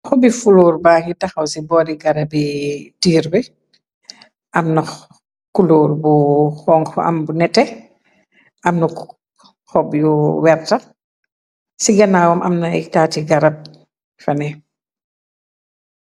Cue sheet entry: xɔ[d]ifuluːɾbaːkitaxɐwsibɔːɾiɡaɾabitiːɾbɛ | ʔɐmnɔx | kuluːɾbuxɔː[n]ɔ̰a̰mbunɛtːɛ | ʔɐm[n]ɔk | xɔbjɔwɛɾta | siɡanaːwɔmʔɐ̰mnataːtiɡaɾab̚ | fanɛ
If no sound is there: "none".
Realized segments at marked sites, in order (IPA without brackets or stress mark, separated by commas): b, ŋ, n